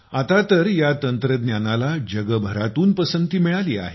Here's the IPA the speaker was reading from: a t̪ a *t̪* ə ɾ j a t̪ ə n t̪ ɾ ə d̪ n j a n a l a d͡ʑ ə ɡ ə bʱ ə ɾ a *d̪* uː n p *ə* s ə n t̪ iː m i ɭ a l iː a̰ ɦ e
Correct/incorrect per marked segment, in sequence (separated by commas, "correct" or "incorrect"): correct, incorrect, correct